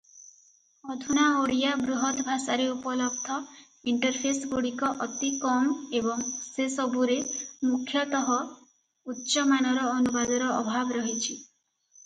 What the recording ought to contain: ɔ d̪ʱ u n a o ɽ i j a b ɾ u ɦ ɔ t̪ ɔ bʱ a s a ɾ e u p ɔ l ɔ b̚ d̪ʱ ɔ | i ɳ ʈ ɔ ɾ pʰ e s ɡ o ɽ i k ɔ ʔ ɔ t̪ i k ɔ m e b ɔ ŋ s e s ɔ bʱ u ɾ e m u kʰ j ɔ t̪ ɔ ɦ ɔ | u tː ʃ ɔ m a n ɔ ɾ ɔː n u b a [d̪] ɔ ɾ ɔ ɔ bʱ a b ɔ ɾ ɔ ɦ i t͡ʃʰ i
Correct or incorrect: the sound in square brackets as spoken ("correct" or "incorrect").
correct